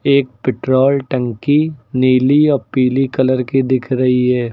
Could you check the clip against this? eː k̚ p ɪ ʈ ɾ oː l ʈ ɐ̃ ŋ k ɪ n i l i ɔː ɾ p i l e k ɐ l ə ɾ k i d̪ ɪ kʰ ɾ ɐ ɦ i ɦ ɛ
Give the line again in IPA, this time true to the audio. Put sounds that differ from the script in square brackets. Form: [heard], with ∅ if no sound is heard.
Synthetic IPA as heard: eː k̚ p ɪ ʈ ɾ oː l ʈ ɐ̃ ŋ k [i] n [iː] l i ɔː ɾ p [iː] l [i] k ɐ l ə ɾ k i d̪ ɪ kʰ ɾ ɐ ɦ i ɦ [ɛː]